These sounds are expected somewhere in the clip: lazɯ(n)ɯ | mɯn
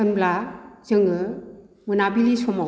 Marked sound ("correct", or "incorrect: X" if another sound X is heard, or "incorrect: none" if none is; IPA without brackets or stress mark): incorrect: ŋ